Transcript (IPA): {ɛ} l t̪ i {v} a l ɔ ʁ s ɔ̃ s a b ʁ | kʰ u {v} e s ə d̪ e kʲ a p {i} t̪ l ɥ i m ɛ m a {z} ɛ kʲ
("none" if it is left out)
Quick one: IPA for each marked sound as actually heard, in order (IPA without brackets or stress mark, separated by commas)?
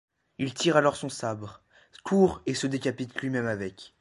i, ʁ, ʁ, i, v